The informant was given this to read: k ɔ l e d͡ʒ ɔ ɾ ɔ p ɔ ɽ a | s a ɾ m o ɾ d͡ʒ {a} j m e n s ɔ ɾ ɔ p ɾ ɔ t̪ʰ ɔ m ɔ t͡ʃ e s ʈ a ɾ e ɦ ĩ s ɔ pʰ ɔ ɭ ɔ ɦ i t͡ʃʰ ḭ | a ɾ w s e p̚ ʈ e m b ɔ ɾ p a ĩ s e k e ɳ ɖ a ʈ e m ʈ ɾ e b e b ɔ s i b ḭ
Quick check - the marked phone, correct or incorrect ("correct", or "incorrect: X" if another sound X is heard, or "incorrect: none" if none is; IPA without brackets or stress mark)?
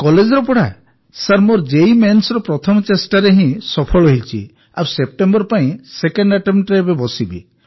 incorrect: e